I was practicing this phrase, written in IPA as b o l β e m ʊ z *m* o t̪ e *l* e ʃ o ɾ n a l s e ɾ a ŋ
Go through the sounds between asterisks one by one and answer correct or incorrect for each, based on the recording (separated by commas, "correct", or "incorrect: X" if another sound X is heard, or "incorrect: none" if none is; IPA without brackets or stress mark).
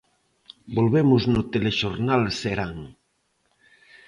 incorrect: n, correct